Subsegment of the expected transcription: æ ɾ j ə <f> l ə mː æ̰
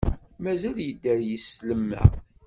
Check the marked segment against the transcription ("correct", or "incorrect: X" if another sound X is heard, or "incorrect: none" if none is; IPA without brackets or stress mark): incorrect: s